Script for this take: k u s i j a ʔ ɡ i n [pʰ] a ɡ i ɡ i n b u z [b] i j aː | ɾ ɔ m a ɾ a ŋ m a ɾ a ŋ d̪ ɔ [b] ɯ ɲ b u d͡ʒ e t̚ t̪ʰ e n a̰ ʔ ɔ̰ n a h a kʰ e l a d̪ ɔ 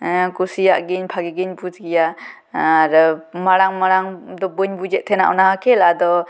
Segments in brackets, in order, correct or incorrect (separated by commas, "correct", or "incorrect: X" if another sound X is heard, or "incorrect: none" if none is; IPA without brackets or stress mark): correct, incorrect: ɡ, correct